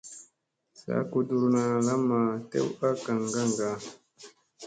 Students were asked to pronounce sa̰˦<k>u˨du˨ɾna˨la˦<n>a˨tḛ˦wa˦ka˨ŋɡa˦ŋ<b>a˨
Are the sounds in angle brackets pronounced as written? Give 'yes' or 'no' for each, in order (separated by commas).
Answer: yes, no, no